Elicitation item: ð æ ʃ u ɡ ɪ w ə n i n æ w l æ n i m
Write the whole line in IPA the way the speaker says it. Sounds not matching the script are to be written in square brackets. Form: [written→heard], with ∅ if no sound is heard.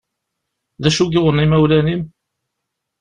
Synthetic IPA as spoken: ð æ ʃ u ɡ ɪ w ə n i [n→m] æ w l æ n i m